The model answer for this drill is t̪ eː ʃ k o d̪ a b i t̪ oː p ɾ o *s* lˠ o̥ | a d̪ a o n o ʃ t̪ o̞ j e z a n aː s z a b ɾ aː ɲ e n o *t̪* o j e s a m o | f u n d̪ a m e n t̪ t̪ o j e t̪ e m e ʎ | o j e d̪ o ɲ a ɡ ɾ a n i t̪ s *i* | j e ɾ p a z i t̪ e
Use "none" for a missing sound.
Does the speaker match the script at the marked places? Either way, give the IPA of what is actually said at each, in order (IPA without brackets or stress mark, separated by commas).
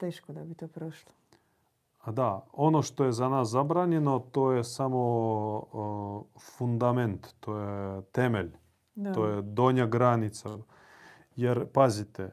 ʃ, t̪, a